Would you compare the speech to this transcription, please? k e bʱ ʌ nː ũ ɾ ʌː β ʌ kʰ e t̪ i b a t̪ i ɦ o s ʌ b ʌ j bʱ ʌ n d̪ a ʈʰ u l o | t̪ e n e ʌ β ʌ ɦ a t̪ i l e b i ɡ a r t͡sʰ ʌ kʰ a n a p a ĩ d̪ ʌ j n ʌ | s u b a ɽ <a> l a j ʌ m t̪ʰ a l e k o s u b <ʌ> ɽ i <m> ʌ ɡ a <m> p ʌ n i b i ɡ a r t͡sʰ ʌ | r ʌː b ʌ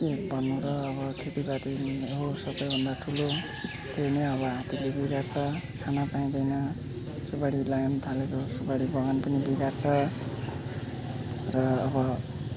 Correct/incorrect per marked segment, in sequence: incorrect: i, incorrect: a, incorrect: b, incorrect: n

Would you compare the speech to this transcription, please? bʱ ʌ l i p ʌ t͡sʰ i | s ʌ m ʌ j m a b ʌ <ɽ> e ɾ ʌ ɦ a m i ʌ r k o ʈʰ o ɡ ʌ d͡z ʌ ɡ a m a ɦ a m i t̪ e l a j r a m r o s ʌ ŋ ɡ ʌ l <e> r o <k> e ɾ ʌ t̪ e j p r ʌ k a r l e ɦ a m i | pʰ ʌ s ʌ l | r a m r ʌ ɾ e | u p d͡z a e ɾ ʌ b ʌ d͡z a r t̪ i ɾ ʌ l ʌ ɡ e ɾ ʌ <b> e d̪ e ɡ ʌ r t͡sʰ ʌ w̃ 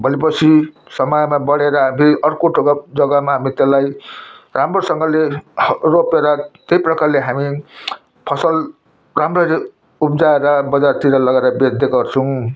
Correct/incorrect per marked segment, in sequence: correct, correct, incorrect: p, correct

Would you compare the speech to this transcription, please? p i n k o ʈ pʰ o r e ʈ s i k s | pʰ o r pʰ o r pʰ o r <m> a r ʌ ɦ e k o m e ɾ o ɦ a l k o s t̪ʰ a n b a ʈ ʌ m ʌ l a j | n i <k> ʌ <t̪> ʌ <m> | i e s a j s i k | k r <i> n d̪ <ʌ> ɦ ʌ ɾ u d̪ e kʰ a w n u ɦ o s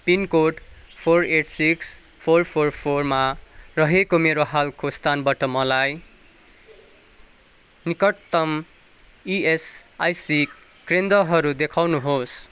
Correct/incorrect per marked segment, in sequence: correct, correct, correct, correct, incorrect: e, correct

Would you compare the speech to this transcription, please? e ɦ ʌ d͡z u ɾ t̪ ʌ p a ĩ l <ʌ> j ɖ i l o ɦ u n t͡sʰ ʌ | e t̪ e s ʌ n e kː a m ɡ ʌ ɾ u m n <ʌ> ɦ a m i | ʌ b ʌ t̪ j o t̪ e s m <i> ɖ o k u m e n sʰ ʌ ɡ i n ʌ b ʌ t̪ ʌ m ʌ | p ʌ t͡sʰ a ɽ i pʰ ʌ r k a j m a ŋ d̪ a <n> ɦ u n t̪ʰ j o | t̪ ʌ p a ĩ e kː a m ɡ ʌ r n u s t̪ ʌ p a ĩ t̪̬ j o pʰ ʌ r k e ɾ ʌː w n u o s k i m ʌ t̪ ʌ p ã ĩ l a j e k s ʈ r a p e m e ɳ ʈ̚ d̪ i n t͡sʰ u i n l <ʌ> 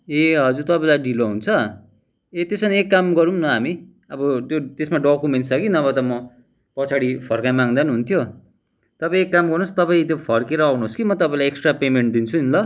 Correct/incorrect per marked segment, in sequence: incorrect: a, correct, incorrect: a, correct, correct

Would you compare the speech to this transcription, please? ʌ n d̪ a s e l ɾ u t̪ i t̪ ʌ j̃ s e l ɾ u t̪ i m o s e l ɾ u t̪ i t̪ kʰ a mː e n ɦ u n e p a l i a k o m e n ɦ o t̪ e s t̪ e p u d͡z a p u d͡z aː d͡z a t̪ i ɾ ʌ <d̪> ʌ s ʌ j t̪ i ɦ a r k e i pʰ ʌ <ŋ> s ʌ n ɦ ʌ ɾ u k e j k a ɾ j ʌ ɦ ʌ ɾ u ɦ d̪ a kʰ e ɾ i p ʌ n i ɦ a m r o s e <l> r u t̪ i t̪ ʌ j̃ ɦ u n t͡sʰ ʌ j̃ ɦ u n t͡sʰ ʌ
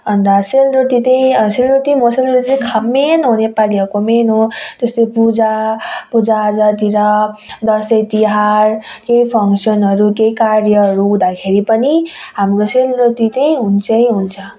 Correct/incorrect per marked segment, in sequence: correct, correct, correct

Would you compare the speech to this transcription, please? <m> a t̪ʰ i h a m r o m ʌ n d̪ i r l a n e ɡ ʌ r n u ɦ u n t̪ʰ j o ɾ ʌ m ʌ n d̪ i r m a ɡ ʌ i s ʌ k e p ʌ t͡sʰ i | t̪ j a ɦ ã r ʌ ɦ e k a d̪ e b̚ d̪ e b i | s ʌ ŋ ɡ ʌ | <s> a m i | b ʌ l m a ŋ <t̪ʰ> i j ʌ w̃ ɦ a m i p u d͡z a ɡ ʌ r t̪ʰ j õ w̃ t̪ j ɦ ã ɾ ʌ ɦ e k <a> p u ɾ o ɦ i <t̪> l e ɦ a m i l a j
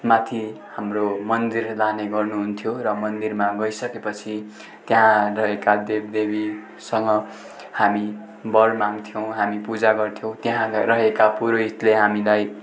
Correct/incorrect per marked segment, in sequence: correct, incorrect: h, correct, correct, correct

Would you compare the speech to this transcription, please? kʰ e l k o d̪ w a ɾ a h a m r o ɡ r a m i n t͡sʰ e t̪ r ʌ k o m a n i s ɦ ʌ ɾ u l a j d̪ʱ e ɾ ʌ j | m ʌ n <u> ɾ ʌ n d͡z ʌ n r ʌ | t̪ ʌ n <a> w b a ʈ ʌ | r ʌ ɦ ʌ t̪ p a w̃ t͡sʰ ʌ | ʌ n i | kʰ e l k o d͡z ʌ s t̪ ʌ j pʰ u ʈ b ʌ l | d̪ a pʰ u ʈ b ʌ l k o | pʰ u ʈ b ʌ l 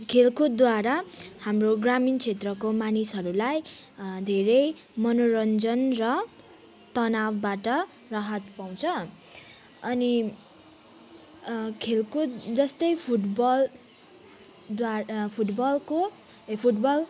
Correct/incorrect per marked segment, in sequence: incorrect: o, correct

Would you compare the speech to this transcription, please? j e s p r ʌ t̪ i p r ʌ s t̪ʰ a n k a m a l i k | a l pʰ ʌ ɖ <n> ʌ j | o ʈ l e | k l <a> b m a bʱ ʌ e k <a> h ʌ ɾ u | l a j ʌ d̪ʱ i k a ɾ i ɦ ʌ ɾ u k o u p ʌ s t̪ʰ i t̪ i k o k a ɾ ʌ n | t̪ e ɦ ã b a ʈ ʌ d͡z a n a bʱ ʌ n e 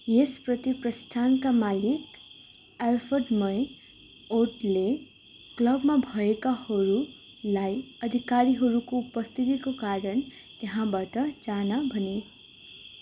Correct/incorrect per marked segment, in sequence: incorrect: m, incorrect: ʌ, correct

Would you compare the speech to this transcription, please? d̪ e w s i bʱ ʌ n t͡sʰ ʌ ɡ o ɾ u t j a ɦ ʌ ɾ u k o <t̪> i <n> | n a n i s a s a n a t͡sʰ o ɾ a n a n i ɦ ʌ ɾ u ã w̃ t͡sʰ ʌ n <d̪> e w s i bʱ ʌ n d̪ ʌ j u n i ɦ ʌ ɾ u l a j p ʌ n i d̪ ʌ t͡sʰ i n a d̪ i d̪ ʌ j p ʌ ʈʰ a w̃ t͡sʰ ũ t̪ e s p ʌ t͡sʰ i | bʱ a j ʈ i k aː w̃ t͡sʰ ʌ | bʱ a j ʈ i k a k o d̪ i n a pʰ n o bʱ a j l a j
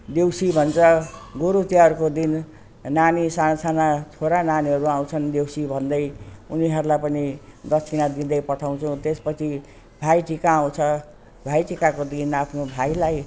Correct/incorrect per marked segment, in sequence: incorrect: d̪, correct, correct

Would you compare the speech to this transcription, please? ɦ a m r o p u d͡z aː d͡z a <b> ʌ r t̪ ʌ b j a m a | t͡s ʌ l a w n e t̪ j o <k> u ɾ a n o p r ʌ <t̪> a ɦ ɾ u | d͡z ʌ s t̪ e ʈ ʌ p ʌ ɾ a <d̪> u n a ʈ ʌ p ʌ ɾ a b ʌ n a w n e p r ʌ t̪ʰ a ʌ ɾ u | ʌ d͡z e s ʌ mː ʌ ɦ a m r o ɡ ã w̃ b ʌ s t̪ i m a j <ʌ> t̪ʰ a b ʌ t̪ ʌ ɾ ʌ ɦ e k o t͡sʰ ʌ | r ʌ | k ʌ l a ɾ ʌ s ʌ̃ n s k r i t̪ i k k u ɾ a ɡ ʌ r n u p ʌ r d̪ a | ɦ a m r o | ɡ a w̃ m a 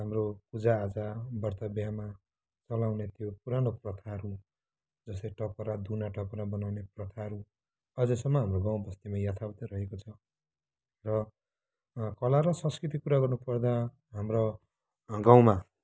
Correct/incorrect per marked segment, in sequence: correct, incorrect: p, incorrect: t̪ʰ, correct, incorrect: a

